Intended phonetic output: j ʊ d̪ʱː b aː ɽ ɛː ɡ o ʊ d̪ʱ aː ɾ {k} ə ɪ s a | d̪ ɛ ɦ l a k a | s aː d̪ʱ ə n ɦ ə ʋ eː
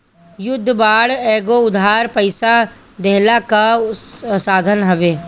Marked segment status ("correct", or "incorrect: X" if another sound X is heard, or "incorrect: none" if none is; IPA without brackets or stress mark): incorrect: p